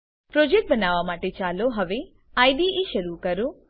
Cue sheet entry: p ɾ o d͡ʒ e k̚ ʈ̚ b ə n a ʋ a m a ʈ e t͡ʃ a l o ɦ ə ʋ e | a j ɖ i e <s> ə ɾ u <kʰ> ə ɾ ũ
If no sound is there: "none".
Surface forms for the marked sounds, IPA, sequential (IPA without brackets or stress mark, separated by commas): ʃ, k